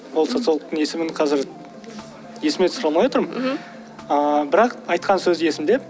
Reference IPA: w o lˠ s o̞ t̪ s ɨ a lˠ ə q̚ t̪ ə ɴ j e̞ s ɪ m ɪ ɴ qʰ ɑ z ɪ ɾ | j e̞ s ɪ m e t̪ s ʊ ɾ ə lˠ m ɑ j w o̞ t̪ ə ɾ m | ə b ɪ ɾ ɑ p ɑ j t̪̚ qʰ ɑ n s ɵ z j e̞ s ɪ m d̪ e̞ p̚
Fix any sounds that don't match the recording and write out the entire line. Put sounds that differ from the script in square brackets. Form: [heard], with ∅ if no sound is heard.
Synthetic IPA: w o lˠ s o̞ t̪ s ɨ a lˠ ə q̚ t̪ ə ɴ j e̞ s ɪ m ɪ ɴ qʰ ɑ z ɪ ɾ | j e̞ s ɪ m e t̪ s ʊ ɾ [ɑ] lˠ m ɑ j w o̞ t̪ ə ɾ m | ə b ɪ ɾ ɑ [q] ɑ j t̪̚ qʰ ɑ n s ɵ z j e̞ s ɪ m d̪ e̞ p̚